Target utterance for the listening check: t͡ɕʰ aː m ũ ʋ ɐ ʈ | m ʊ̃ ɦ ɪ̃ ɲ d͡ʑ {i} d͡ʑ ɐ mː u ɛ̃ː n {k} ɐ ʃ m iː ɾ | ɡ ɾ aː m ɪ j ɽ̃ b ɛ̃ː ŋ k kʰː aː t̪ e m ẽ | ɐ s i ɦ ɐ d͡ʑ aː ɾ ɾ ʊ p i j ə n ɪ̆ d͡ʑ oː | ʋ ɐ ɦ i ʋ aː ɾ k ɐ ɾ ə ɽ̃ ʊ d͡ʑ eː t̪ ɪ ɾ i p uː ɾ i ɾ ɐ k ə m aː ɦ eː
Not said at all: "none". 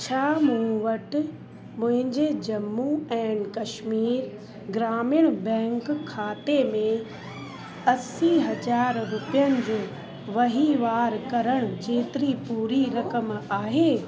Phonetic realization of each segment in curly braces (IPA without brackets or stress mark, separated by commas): e, k